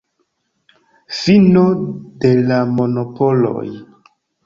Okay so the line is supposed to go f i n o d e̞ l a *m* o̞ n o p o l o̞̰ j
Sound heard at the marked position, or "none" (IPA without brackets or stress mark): m